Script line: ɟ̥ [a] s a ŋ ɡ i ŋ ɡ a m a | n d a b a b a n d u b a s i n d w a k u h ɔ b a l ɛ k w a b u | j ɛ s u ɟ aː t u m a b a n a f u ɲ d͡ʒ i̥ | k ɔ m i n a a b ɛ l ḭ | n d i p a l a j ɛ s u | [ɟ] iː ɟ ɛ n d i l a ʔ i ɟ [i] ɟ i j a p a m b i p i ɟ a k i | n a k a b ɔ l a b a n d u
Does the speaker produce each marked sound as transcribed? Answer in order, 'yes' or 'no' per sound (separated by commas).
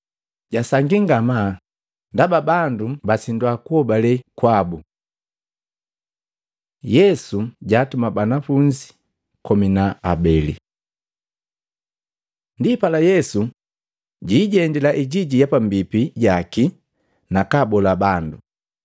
yes, yes, yes